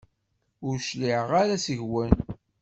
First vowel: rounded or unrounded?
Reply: rounded